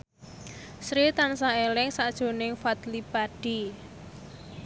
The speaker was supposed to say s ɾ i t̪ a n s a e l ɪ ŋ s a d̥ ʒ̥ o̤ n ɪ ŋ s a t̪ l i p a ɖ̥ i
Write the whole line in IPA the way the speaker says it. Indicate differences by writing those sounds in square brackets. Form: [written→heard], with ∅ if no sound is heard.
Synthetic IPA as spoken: s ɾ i t̪ a n s a e l ɪ ŋ s a d̥ ʒ̥ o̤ n ɪ ŋ [s→f] a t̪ l i p a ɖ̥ i